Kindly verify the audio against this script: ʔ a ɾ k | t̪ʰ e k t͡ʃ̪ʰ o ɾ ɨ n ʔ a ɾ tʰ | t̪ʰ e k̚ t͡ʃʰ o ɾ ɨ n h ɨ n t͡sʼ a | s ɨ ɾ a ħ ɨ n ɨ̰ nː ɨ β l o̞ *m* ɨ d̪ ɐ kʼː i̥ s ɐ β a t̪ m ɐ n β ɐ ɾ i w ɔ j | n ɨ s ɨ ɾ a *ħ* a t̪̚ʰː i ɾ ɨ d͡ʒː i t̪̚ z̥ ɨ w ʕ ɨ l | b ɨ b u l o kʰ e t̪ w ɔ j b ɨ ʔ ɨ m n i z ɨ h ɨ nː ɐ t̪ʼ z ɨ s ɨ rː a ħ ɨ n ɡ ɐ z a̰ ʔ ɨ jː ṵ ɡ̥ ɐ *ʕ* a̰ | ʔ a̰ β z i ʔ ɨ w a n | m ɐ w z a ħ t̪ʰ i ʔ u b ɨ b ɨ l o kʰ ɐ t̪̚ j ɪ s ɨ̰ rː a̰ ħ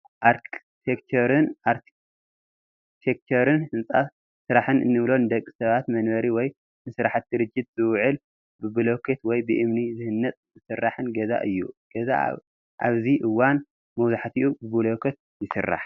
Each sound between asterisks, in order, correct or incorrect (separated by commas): incorrect, correct, incorrect